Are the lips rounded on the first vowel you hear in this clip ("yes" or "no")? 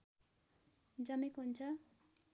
no